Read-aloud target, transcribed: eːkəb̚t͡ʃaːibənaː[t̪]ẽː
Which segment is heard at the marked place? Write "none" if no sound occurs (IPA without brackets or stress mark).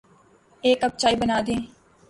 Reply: d̪